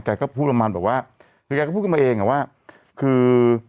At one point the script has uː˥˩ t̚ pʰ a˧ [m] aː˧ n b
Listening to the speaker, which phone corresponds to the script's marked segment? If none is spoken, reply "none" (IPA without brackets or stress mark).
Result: m